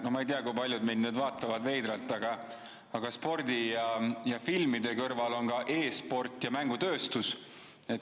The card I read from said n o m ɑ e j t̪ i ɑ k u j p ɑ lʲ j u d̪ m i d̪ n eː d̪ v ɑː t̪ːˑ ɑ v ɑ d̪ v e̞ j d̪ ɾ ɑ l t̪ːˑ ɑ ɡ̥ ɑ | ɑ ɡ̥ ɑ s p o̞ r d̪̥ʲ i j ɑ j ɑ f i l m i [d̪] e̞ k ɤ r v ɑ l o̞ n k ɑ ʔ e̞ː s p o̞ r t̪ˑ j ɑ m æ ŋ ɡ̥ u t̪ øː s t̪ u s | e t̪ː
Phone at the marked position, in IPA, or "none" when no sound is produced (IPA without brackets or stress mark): d̪